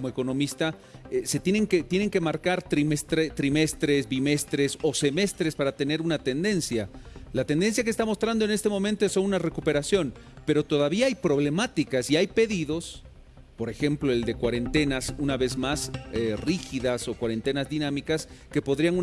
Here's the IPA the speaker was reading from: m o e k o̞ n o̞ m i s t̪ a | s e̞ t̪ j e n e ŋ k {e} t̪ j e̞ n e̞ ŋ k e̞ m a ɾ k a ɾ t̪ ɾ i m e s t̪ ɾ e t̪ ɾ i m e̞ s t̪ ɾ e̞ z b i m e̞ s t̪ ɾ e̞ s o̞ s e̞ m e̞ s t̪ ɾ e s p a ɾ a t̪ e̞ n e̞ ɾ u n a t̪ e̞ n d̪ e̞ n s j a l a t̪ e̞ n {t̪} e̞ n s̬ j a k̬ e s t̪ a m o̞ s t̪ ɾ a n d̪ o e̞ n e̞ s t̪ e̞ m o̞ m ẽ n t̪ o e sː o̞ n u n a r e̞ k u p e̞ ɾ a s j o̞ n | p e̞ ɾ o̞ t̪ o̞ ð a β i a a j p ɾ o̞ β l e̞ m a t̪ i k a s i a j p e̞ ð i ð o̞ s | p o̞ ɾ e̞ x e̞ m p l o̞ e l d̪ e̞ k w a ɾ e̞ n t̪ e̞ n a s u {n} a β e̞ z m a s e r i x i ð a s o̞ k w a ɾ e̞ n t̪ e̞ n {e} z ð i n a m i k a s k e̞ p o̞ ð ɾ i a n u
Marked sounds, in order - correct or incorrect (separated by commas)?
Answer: correct, incorrect, correct, incorrect